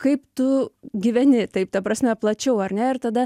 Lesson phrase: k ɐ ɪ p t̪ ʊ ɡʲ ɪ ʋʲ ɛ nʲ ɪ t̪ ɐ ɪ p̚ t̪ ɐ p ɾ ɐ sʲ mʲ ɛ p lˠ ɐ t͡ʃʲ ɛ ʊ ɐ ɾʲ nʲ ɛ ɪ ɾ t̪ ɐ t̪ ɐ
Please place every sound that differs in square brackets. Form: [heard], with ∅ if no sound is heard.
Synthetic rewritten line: k ɐ ɪ p t̪ ʊ ɡʲ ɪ ʋʲ ɛ nʲ ɪ t̪ ɐ ɪ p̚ t̪ ɐ p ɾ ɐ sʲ mʲ ɛ p lˠ ɐ t͡ʃʲ ɛ ʊ ɐ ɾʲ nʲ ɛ ɪ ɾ t̪ ɐ [d̪] ɐ

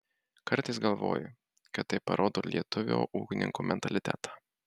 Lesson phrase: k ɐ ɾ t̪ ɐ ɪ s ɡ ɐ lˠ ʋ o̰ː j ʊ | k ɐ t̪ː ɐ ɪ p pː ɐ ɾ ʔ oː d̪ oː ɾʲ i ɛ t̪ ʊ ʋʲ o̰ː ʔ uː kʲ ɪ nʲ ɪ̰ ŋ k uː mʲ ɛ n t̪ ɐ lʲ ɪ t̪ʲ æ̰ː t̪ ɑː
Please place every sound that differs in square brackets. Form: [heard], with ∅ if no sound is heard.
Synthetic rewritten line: k ɐ ɾ t̪ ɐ ɪ s ɡ ɐ lˠ ʋ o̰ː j ʊ | k ɐ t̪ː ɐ ɪ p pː ɐ ɾ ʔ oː d̪ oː [lʲ] i ɛ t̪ ʊ ʋʲ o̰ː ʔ uː kʲ ɪ nʲ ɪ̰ ŋ k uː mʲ ɛ n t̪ ɐ lʲ ɪ t̪ʲ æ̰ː t̪ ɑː

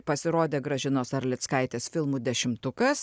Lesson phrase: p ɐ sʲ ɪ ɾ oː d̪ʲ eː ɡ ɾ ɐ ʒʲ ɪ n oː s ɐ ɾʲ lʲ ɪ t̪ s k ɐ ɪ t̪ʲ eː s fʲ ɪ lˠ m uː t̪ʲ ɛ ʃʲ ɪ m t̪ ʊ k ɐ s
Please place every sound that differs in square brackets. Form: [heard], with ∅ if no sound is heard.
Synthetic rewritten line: p ɐ sʲ ɪ ɾ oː d̪ʲ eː ɡ ɾ ɐ ʒʲ ɪ n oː s ɐ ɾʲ lʲ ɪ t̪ s k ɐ ɪ t̪ʲ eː s fʲ ɪ lˠ m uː [d̪ʲ] ɛ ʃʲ ɪ m t̪ ʊ k ɐ s

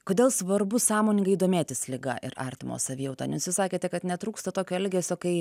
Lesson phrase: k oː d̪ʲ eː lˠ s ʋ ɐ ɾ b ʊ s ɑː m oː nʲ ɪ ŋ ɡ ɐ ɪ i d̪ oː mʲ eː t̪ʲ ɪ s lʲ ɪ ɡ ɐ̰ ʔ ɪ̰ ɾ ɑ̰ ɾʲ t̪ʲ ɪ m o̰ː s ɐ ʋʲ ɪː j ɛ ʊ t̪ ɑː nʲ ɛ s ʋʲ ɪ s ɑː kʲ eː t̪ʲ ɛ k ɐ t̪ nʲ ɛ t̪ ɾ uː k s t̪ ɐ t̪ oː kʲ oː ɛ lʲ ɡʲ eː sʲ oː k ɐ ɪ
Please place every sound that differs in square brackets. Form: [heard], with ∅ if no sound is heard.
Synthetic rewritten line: k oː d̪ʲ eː lˠ s ʋ ɐ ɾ b ʊ s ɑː m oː nʲ ɪ ŋ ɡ ɐ ɪ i d̪ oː mʲ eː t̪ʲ ɪ s lʲ ɪ ɡ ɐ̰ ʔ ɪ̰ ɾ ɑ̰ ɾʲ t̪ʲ ɪ m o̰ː s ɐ ʋʲ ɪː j ɛ ʊ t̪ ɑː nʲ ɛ s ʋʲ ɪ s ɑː kʲ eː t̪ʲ ɛ k ɐ t̪ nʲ ɛ t̪ ɾ uː k s t̪ ɐ t̪ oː kʲ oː ɛ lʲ ɡʲ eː sʲ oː k ɐ ɪ

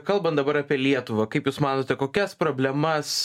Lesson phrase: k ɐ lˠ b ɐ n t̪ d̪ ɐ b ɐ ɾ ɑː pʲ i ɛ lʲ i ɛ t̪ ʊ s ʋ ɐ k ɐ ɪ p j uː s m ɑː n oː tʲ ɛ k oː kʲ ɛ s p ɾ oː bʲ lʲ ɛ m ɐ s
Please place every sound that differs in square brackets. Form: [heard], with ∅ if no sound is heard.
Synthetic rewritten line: k ɐ lˠ b ɐ n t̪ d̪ ɐ b ɐ ɾ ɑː pʲ i ɛ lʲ i ɛ t̪ ʊ [∅] ʋ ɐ k ɐ ɪ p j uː s m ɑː n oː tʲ ɛ k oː kʲ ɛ s p ɾ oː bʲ lʲ ɛ m ɐ s

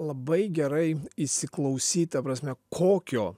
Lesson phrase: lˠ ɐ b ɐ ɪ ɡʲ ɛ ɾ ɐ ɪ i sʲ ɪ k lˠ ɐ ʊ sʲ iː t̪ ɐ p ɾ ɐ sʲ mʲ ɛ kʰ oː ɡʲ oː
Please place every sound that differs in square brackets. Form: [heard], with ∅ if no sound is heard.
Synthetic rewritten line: lˠ ɐ b ɐ ɪ ɡʲ ɛ ɾ ɐ ɪ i sʲ ɪ k lˠ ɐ ʊ sʲ iː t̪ ɐ p ɾ ɐ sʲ mʲ ɛ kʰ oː [kʲ] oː

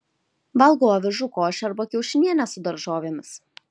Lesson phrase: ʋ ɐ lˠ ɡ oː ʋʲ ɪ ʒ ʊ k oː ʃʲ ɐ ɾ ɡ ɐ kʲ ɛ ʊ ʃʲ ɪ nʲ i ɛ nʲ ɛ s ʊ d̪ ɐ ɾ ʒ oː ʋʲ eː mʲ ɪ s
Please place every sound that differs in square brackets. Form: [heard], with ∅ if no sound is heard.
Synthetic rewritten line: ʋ ɐ lˠ ɡ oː ʋʲ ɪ ʒ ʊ k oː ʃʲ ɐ ɾ [b] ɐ kʲ ɛ ʊ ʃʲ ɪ nʲ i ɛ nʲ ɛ s ʊ d̪ ɐ ɾ ʒ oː ʋʲ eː mʲ ɪ s

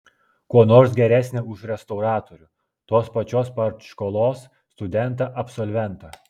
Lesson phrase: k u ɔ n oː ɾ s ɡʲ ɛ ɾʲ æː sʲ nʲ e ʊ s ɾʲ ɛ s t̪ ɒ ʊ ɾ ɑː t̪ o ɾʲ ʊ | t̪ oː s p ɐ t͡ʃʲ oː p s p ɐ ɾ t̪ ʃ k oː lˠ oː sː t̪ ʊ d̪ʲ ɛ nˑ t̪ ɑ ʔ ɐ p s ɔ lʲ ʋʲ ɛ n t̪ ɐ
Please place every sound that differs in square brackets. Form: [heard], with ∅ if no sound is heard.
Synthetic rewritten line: k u ɔ n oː ɾ s ɡʲ ɛ ɾʲ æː sʲ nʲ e ʊ [ʃ] ɾʲ ɛ s t̪ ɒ ʊ ɾ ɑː t̪ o ɾʲ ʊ | t̪ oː s p ɐ t͡ʃʲ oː [∅] s p ɐ ɾ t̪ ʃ k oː lˠ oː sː t̪ ʊ d̪ʲ ɛ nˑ t̪ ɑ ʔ ɐ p s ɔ lʲ ʋʲ ɛ n t̪ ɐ

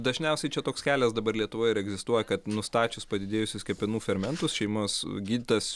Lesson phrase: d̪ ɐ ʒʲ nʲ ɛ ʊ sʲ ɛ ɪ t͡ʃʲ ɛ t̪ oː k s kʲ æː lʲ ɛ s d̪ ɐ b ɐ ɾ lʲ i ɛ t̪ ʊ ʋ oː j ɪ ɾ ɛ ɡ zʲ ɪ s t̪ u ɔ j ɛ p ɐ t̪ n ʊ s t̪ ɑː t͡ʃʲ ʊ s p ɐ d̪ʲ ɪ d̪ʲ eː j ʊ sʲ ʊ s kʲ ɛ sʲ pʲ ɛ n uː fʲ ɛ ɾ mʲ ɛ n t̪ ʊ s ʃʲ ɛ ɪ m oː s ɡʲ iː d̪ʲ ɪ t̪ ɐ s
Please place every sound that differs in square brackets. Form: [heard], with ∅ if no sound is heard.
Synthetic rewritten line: d̪ ɐ ʒʲ nʲ ɛ ʊ sʲ ɛ ɪ t͡ʃʲ ɛ t̪ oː k s kʲ æː lʲ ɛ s d̪ ɐ b ɐ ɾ lʲ i ɛ t̪ ʊ ʋ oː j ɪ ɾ ɛ ɡ zʲ ɪ s t̪ u ɔ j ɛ [k] ɐ t̪ n ʊ s t̪ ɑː t͡ʃʲ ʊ s p ɐ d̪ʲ ɪ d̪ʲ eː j ʊ sʲ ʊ s kʲ ɛ [∅] pʲ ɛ n uː fʲ ɛ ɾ mʲ ɛ n t̪ ʊ s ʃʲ ɛ ɪ m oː s ɡʲ iː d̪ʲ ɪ t̪ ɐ s

